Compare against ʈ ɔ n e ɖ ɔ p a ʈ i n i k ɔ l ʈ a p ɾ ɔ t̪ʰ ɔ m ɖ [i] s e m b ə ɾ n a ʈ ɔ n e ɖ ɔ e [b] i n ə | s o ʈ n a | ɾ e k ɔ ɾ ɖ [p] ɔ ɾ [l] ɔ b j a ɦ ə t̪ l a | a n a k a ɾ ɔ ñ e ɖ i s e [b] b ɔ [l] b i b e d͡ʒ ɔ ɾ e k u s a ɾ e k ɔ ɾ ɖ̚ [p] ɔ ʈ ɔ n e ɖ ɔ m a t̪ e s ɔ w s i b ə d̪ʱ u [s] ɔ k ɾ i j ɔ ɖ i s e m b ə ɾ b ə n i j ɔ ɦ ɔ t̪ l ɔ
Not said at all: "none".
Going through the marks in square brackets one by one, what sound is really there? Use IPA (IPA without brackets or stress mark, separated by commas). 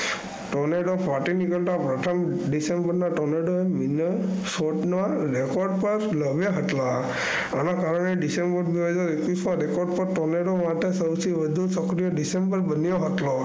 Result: i, m, p, l, m, ɾ, p, s